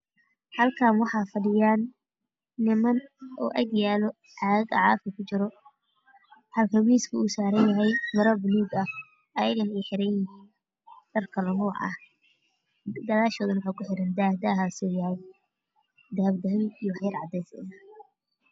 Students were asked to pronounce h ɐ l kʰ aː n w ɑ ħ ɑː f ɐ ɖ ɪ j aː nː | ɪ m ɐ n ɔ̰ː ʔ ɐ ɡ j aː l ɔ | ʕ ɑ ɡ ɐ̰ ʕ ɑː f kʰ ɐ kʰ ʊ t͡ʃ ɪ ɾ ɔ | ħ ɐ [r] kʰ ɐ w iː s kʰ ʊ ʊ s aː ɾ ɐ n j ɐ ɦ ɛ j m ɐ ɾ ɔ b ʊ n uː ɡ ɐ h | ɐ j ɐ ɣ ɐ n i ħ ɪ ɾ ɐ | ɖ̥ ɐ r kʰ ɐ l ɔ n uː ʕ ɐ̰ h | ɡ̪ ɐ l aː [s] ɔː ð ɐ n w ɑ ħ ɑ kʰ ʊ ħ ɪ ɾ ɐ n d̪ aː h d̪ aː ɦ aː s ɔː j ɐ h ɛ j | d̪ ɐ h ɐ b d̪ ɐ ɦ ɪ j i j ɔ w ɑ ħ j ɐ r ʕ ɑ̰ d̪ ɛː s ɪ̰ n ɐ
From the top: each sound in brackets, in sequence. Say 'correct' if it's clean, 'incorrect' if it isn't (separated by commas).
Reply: incorrect, incorrect